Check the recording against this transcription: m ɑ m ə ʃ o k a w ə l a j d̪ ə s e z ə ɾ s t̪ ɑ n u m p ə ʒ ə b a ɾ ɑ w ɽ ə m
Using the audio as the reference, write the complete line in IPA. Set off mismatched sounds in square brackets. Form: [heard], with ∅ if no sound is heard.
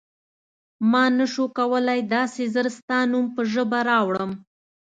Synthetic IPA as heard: m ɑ [n] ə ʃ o k a w ə l a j d̪ [ɑ] s e z ə ɾ s t̪ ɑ n u m p ə ʒ ə b a ɾ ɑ w ɽ ə m